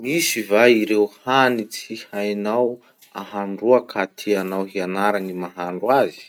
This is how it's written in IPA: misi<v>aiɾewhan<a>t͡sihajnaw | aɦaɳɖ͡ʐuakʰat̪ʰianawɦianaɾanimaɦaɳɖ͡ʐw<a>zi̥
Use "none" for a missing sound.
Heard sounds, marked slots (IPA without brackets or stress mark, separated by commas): v, i, a